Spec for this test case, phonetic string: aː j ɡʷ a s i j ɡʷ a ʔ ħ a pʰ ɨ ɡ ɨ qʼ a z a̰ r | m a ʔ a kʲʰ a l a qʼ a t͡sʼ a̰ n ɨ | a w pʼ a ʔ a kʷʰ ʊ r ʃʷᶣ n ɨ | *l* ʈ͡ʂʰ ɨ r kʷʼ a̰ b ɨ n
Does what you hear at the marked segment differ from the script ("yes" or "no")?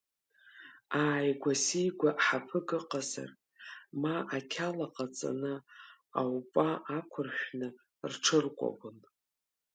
yes